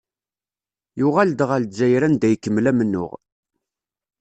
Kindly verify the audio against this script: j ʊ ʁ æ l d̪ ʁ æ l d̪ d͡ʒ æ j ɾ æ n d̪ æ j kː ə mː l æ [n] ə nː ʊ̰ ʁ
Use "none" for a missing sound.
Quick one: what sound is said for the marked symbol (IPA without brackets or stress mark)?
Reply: m